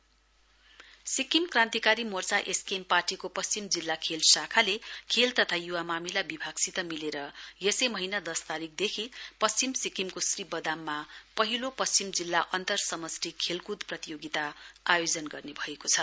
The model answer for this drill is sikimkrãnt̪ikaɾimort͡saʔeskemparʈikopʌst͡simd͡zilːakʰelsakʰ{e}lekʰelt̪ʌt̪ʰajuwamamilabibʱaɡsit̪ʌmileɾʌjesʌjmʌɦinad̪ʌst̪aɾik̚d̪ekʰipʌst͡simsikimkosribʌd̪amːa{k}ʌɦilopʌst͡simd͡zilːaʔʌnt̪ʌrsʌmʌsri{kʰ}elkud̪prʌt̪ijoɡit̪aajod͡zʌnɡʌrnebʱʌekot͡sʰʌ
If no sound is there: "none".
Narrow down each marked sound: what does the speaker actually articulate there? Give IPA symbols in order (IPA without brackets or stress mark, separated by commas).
a, p, kʰ